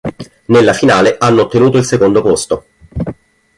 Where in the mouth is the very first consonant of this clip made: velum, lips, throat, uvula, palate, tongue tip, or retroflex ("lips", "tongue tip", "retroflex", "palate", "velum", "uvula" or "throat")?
tongue tip